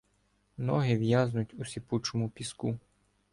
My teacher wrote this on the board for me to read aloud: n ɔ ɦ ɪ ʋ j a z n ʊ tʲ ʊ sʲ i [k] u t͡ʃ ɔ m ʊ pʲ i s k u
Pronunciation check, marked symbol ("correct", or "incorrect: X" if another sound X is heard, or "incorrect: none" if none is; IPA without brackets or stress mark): incorrect: p